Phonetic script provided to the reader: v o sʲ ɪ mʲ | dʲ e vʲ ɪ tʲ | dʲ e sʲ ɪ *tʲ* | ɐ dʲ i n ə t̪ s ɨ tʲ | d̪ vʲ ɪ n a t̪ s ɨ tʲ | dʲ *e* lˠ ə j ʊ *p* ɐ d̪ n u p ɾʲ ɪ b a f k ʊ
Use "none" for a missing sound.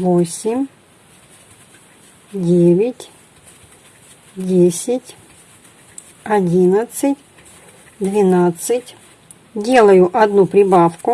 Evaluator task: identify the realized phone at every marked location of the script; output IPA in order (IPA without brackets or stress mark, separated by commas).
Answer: tʲ, e, ʔ